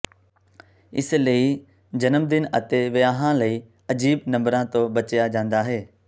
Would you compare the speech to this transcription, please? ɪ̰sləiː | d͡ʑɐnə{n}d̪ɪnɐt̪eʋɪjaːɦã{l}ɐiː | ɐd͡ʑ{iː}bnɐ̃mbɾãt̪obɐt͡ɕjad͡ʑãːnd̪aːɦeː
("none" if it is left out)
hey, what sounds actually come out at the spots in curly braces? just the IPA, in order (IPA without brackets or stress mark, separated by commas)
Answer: m, l, iː